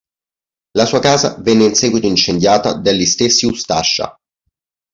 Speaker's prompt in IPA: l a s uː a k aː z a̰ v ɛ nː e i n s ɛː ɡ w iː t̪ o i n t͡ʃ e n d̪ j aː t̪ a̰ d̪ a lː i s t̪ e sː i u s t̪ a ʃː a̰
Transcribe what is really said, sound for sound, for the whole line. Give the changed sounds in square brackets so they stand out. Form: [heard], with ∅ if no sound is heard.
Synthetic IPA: l a s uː a k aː z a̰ v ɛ nː e i n s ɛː ɡ w [i] t̪ o i n t͡ʃ e n d̪ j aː t̪ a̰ d̪ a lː i s t̪ e sː i u s t̪ a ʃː a̰